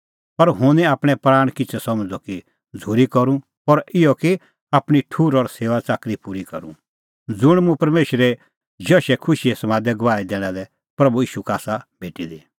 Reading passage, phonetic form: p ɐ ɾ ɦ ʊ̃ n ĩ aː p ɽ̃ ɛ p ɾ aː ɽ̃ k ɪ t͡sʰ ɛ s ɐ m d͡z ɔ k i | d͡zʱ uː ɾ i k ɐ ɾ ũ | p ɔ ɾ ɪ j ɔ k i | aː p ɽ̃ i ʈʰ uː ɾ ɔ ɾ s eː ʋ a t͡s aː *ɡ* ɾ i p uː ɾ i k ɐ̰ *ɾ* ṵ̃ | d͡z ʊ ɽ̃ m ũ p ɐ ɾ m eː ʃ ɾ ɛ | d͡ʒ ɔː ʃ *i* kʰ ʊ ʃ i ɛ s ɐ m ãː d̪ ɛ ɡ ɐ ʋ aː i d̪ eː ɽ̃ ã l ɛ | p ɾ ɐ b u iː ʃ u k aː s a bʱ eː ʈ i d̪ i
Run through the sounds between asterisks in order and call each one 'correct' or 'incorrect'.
incorrect, correct, incorrect

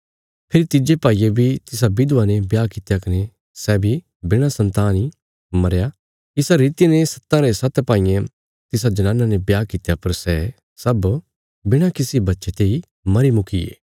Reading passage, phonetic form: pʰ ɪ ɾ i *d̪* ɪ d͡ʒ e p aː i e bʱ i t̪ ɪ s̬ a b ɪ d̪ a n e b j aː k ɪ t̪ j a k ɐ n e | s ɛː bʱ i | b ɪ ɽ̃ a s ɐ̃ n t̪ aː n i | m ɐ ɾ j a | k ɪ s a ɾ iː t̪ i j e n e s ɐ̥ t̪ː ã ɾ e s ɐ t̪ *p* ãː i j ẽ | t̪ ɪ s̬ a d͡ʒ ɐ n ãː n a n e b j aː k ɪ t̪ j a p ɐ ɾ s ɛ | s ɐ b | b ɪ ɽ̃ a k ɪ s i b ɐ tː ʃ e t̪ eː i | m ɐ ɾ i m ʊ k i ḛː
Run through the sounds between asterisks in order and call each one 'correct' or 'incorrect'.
incorrect, correct

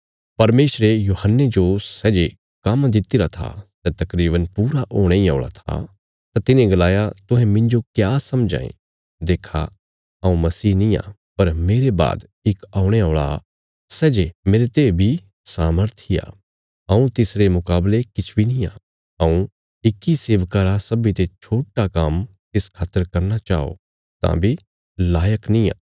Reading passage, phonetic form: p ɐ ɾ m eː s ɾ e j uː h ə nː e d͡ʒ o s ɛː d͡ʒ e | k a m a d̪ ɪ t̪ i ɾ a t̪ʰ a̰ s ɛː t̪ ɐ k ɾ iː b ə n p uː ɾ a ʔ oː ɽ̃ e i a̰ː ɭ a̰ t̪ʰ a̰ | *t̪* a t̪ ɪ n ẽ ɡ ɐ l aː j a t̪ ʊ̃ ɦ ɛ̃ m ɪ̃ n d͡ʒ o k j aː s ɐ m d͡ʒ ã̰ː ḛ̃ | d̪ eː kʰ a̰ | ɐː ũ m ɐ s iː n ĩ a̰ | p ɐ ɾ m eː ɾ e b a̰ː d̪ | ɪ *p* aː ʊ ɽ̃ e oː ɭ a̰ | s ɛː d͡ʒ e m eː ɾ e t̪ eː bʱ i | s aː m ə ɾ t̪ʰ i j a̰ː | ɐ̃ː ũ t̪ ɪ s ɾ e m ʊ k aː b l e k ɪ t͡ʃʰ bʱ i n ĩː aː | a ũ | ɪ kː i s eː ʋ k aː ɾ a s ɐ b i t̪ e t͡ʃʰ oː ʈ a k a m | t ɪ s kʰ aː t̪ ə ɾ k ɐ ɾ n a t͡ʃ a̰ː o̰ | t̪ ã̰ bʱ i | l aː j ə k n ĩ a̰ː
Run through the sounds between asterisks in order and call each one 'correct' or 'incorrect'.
correct, incorrect

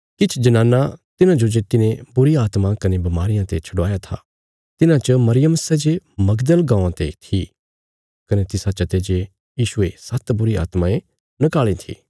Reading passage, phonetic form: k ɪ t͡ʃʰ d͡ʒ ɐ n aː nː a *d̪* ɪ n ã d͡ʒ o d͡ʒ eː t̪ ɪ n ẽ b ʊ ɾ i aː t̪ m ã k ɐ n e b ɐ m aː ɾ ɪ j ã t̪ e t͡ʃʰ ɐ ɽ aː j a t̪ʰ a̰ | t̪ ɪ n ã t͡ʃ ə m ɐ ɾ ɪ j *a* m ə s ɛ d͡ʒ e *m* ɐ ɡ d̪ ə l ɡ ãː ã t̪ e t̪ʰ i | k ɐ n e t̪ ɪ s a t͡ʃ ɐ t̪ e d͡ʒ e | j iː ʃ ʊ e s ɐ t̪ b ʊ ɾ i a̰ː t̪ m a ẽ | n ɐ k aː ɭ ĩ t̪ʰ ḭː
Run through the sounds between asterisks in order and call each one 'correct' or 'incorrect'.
incorrect, incorrect, correct

